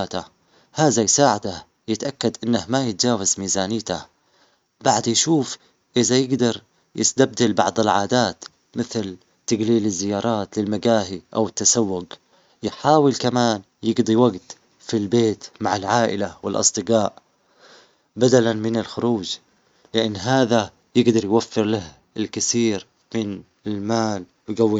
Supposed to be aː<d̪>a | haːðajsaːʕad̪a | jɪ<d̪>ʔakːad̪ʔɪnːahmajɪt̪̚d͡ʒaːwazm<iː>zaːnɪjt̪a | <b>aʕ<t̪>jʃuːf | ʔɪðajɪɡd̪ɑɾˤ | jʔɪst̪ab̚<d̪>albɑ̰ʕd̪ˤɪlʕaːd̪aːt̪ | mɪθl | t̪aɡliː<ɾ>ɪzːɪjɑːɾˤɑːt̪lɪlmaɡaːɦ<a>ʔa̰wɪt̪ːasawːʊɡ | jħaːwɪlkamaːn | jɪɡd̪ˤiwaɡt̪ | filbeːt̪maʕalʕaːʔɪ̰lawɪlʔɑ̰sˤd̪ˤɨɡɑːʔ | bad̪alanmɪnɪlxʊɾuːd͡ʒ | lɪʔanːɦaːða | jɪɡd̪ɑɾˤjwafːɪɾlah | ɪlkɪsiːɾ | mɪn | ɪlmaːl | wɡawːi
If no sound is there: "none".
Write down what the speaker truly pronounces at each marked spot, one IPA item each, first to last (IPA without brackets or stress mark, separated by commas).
t̪, t̪, iː, b, d̪, d̪, l, i